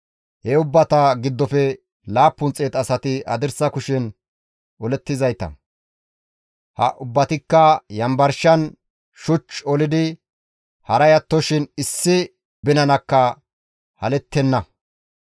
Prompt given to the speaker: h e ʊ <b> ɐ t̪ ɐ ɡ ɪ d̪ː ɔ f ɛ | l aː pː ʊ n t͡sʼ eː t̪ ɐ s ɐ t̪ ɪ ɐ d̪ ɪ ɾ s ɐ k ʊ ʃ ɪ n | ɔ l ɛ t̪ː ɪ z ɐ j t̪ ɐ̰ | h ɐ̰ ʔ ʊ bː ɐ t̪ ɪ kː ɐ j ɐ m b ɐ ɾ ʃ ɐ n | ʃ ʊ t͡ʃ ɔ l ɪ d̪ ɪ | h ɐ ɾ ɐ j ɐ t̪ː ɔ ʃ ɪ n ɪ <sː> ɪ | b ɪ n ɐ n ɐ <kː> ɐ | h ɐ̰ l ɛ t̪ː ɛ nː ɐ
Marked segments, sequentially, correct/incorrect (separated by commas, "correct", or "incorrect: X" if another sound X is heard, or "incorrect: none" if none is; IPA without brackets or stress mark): incorrect: bː, correct, correct